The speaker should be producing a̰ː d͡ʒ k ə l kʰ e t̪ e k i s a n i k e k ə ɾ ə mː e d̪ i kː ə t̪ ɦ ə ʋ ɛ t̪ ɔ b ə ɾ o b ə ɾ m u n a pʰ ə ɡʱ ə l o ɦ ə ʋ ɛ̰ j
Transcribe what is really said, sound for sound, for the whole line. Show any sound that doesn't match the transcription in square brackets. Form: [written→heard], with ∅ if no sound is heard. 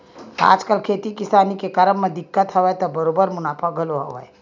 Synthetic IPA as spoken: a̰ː d͡ʒ k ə l kʰ e t̪ [e→i] k i s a n i k e k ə ɾ ə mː e d̪ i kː ə t̪ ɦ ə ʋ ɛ t̪ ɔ b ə ɾ o b ə ɾ m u n a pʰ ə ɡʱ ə l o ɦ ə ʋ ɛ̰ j